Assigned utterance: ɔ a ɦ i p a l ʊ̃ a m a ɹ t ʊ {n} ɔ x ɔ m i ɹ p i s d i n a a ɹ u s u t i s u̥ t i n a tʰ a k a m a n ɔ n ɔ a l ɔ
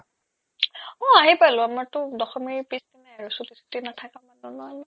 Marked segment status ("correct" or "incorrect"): incorrect